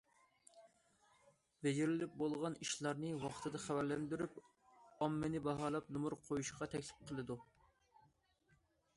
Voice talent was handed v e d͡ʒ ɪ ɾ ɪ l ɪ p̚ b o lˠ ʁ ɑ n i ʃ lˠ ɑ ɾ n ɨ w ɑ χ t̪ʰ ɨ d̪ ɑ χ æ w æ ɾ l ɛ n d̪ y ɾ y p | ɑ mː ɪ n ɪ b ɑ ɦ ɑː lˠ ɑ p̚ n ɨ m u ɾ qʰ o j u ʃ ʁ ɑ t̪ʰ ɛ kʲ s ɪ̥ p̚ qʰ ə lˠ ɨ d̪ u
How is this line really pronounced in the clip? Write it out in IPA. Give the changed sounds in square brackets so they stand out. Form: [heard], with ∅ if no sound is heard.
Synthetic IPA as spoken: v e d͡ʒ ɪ ɾ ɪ l ɪ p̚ b o lˠ ʁ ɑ n i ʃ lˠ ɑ ɾ n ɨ w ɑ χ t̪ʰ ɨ d̪ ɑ χ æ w æ ɾ l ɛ n d̪ y ɾ y p | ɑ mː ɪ n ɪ b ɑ ɦ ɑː lˠ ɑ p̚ n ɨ m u ɾ qʰ o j u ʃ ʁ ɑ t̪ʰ ɛ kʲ s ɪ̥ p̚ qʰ ə lˠ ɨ d̪ u